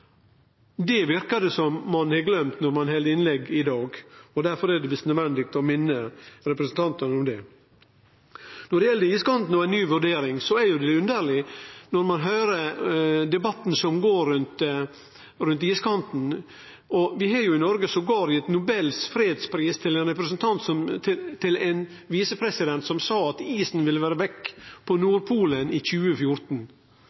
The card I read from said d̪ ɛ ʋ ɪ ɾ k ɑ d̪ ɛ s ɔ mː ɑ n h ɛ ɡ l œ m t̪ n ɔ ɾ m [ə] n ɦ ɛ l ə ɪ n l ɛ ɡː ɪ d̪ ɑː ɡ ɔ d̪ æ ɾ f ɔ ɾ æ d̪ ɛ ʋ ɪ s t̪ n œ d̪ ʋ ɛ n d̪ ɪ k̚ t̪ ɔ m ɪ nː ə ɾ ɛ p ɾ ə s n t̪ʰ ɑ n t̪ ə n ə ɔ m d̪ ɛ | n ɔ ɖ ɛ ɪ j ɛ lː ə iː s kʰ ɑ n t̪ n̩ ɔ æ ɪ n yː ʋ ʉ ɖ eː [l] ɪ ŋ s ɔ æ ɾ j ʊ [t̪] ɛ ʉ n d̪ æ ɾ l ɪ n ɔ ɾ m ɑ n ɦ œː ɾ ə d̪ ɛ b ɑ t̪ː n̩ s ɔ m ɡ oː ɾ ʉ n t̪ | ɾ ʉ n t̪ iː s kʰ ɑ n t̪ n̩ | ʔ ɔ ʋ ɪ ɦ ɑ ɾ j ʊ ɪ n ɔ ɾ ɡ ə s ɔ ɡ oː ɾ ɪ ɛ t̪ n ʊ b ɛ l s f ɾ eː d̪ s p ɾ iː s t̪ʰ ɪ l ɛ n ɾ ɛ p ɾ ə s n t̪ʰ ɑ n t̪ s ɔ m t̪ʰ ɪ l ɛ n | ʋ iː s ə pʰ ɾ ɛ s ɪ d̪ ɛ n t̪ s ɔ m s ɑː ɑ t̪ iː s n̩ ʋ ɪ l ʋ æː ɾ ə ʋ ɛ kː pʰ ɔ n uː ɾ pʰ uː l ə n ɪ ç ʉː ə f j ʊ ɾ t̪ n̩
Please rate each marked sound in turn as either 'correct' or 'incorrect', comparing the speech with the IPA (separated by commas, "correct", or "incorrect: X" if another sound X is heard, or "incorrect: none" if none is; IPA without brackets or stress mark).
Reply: incorrect: ɑ, incorrect: ɾ, incorrect: d̪